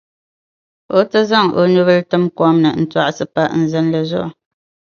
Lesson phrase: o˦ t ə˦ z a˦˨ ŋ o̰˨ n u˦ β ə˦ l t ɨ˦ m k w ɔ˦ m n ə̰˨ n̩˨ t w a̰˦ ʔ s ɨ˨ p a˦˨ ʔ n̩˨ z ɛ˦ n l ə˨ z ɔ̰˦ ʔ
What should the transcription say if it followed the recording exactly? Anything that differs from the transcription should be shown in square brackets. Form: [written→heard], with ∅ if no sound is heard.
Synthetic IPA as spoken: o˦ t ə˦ z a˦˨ ŋ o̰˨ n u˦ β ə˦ l t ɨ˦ m k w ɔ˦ m n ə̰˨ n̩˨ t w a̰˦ ʔ s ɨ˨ p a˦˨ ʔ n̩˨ z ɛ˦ n l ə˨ z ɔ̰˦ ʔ